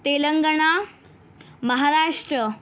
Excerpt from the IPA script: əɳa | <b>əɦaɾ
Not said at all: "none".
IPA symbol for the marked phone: m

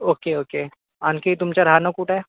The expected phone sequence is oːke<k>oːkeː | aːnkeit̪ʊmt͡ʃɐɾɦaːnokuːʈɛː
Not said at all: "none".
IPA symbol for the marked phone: none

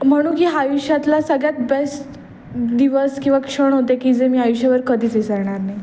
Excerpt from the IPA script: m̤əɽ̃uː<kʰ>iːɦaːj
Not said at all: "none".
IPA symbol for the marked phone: k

